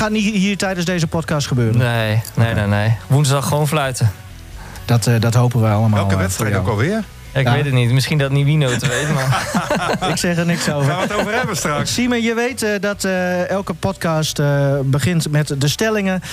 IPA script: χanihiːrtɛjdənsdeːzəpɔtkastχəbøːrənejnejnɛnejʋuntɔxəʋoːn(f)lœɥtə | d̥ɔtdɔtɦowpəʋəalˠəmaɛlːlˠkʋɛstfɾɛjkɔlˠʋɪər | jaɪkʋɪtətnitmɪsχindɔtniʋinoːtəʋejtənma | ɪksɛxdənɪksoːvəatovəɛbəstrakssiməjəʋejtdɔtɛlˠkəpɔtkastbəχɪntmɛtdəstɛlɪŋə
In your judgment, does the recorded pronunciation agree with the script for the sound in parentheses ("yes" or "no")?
yes